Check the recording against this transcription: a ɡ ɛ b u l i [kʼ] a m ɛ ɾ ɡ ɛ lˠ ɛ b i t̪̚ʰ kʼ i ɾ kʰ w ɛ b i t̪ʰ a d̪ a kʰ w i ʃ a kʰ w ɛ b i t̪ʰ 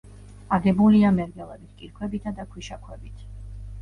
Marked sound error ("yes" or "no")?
yes